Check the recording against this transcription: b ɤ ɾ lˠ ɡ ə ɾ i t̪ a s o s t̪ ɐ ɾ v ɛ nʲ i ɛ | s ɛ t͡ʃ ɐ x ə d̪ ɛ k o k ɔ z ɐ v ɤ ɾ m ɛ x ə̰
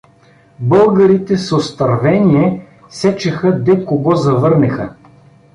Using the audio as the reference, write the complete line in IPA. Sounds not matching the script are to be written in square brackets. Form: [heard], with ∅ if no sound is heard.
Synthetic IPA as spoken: b ɤ [∅] lˠ ɡ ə ɾ i t̪ [ɛ] s o s t̪ ɐ ɾ v ɛ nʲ i ɛ | s ɛ t͡ʃ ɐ x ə d̪ ɛ k o [ɡ] ɔ z ɐ v ɤ ɾ [n] ɛ x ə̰